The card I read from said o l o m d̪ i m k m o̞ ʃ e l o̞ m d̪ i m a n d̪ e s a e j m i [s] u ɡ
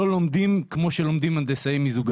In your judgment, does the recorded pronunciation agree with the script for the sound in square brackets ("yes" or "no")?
no